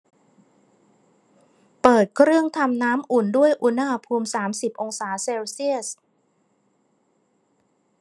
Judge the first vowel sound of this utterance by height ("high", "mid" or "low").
mid